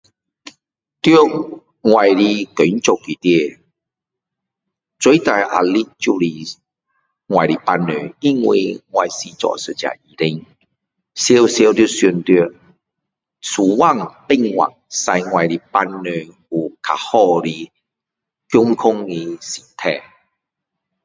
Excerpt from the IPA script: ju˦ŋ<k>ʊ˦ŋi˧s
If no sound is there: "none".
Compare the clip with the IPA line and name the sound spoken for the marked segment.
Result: kʰ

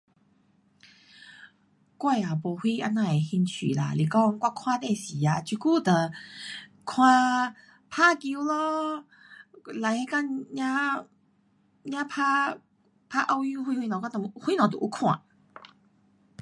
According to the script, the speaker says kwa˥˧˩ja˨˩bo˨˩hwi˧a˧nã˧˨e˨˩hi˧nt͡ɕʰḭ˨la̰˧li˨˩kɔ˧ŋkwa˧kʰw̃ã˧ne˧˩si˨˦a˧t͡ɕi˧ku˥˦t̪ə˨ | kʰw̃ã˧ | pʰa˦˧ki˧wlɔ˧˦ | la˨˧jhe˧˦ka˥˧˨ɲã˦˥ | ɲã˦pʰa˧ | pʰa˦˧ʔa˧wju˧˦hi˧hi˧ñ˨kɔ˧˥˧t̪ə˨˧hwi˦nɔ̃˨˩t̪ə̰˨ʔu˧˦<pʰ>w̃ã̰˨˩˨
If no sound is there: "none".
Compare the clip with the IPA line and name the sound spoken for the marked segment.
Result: kʰ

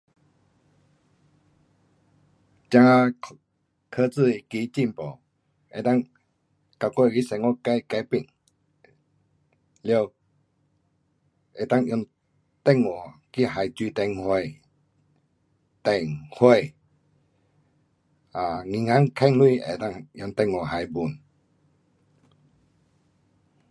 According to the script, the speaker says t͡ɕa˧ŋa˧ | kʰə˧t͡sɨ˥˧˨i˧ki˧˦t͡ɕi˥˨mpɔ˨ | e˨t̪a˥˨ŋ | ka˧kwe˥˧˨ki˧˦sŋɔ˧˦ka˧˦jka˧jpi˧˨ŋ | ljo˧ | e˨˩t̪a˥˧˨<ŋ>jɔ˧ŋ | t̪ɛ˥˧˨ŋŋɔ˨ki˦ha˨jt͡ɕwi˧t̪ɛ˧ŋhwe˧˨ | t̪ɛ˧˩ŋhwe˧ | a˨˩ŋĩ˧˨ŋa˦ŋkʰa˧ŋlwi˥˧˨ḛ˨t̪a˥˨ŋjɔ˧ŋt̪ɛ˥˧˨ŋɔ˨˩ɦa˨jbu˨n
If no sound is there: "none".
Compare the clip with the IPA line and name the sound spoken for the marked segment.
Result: ŋ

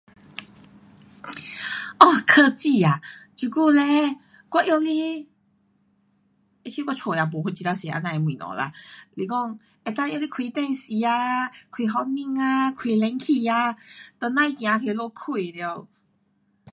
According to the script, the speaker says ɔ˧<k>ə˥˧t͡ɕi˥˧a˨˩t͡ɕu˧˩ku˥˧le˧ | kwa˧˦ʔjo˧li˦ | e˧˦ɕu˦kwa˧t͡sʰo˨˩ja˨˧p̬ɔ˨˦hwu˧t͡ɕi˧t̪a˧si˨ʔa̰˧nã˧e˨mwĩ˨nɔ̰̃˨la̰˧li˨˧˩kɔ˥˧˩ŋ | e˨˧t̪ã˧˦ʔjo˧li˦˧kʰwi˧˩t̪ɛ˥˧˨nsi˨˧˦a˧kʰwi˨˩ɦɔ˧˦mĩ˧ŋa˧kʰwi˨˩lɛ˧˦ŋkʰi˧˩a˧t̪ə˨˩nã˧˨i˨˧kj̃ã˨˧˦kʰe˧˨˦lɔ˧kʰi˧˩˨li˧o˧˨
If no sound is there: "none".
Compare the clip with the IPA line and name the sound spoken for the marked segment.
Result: kʰ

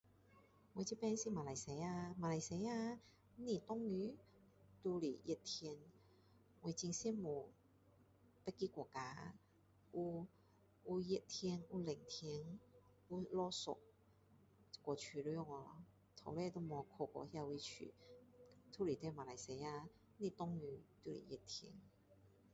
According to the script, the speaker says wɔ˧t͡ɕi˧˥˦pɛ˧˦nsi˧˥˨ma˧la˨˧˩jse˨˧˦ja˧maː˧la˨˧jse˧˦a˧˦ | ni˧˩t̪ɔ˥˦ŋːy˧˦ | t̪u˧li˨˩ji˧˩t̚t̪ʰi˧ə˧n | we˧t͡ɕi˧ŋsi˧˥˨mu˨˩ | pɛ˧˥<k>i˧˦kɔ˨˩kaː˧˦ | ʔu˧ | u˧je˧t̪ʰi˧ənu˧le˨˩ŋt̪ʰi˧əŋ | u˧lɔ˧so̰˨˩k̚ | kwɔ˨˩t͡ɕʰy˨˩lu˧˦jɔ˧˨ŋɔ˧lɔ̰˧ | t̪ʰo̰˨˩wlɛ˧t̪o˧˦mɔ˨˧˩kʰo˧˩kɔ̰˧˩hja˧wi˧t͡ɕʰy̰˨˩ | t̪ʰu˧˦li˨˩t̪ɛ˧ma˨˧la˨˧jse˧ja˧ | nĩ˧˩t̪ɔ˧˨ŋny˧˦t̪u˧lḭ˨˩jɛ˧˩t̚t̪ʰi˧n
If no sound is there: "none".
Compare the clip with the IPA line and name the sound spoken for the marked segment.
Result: k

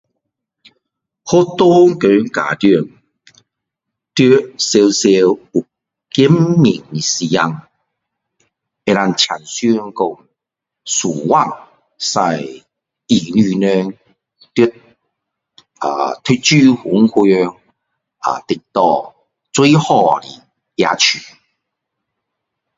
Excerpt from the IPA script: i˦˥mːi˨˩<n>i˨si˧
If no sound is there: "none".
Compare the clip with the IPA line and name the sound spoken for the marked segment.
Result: ŋ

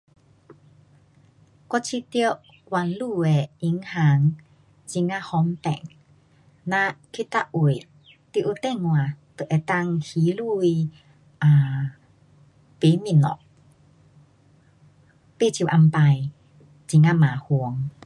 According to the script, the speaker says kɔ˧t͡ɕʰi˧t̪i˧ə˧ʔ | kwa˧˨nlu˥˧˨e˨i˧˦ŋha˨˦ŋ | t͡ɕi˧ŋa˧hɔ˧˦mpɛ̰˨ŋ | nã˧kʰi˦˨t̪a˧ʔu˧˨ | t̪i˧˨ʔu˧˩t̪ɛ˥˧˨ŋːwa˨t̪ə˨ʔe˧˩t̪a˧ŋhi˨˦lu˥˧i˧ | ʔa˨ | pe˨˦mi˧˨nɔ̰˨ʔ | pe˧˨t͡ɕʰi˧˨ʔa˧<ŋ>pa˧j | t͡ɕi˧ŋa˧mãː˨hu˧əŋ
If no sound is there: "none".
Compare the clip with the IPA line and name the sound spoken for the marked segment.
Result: m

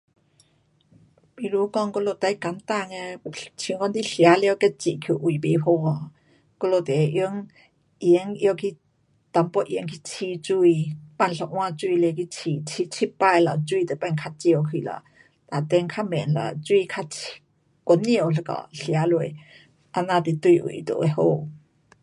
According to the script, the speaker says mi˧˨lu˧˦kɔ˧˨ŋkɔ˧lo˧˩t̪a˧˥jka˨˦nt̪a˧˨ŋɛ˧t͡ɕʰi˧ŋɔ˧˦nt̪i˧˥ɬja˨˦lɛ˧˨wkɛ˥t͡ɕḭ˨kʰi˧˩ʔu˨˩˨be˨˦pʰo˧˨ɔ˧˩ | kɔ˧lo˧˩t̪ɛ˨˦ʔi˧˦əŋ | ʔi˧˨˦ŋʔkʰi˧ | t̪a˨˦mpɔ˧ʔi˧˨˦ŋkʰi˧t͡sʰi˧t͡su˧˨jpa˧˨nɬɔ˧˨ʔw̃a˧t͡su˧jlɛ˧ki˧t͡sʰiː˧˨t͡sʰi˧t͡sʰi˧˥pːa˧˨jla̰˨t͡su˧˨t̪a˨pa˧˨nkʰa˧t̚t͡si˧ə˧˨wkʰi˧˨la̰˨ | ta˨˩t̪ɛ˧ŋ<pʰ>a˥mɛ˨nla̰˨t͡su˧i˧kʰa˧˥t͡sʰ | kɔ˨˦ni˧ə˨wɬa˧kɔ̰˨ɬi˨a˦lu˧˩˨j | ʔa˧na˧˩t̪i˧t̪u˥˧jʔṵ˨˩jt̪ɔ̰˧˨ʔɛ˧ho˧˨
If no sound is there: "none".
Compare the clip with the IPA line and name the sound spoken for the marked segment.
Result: kʰ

